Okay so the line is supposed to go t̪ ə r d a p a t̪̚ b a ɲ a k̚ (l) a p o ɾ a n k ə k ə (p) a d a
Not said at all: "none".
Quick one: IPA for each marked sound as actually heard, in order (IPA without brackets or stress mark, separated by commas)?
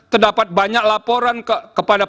l, p